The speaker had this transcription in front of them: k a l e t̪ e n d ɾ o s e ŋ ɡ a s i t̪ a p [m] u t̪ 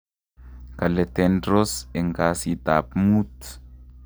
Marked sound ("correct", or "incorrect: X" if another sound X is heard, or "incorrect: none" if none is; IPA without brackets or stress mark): correct